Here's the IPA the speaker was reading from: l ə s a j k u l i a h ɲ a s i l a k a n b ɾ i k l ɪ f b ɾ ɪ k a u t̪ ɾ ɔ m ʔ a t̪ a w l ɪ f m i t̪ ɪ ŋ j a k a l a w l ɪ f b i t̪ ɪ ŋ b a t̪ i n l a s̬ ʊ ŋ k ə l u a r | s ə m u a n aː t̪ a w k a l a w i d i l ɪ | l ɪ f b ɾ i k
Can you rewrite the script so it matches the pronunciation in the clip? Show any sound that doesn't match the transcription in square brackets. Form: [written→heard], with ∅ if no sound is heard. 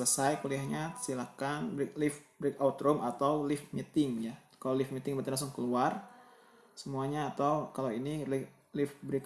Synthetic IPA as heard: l ə s a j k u l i a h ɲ a s i l a k a n b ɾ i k l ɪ f b ɾ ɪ k a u t̪ ɾ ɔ m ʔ a t̪ a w l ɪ f m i t̪ ɪ ŋ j a k a l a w l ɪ f [b→m] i t̪ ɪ ŋ b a t̪ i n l a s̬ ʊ ŋ k ə l u a r | s ə m u a [n→ɲ] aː t̪ a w k a l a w i [d→n] i l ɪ | l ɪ f b ɾ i k